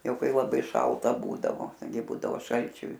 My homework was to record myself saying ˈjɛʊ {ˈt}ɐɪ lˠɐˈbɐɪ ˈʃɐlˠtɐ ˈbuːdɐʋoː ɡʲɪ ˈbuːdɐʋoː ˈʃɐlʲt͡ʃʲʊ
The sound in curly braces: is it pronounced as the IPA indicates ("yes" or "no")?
no